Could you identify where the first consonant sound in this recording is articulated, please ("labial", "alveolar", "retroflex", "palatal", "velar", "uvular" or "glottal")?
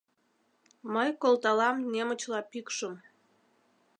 labial